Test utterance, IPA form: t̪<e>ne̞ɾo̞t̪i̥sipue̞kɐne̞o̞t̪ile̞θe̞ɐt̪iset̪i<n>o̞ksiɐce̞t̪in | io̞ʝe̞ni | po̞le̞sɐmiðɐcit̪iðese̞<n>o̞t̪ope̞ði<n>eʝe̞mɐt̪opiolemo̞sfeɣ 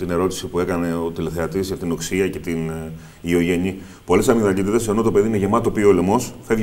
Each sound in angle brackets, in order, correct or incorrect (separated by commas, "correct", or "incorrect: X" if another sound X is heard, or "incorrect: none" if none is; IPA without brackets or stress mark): incorrect: i, correct, correct, correct